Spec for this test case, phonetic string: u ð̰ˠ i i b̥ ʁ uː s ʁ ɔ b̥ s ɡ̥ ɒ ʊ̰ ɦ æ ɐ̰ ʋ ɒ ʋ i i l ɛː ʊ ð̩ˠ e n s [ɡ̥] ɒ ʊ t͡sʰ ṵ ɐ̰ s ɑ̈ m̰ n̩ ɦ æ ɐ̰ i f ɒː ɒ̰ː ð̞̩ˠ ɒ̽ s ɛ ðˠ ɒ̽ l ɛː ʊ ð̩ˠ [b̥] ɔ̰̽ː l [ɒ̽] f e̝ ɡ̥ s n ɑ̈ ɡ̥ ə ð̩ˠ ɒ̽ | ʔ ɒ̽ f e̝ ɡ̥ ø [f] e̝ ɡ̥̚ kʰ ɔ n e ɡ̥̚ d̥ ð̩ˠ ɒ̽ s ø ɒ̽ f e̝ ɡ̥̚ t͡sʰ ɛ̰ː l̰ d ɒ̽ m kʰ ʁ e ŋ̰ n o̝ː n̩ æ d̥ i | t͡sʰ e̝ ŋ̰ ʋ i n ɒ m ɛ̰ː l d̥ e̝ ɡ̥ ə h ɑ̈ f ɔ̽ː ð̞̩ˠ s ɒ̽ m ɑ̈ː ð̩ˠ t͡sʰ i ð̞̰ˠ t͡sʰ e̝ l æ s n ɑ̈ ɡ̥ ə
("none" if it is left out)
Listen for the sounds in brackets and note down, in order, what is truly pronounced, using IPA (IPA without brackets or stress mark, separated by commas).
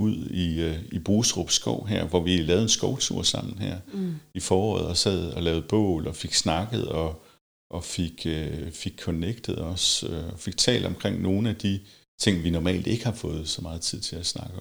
ɡ̥, b̥, ɒ̽, f